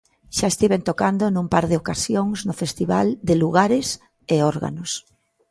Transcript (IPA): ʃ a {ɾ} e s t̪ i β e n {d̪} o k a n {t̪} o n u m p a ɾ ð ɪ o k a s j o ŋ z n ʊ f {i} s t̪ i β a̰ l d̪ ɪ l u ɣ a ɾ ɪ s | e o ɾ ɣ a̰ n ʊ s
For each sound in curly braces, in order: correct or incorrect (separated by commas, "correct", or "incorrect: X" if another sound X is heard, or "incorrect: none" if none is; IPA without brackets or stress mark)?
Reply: incorrect: none, incorrect: t̪, incorrect: d̪, incorrect: e